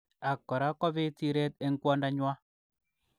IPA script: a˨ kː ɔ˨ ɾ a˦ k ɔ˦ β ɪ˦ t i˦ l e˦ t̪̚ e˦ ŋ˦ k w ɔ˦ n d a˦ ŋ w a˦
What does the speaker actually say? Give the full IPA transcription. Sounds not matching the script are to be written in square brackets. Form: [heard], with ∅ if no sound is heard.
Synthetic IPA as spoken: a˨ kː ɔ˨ ɾ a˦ k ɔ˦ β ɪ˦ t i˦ [ɾ] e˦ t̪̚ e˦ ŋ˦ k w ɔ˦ n d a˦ [ɲ] w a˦

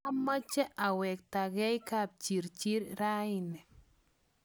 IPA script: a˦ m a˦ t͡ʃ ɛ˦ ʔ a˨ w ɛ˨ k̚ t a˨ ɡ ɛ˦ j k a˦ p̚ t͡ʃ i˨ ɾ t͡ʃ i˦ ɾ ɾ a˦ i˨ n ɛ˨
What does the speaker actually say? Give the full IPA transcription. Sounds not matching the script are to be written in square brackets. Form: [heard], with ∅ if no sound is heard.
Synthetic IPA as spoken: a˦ m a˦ t͡ʃ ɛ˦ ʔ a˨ w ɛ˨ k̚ t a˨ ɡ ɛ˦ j k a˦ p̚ t͡ʃ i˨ ɾ t͡ʃ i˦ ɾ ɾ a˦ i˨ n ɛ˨

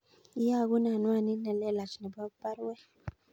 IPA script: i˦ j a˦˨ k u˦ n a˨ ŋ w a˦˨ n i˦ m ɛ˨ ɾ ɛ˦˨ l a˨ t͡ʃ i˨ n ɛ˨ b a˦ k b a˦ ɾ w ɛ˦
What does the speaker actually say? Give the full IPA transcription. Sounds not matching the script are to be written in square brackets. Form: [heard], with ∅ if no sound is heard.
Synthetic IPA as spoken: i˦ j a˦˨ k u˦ n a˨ [n] w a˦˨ n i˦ [n] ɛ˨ [l] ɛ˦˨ l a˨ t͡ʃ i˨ n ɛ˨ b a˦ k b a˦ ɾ w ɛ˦

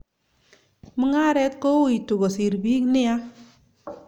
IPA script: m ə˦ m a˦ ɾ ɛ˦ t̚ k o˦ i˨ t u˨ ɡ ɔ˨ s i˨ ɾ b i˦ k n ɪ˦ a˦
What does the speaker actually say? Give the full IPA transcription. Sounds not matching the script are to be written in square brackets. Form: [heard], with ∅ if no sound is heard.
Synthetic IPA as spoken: m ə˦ [ŋ] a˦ ɾ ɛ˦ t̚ k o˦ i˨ t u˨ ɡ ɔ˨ s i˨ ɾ b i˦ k n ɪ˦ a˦

